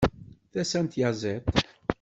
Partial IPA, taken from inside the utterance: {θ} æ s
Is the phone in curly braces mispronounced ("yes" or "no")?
no